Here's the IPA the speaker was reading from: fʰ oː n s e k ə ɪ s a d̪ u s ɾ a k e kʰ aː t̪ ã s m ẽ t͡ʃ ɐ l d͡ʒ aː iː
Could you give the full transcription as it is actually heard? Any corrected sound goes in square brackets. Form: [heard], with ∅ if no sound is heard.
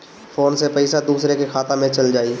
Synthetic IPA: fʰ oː n s e [p] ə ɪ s a d̪ [uː] s ɾ [e] k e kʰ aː t̪ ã [∅] m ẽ t͡ʃ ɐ l d͡ʒ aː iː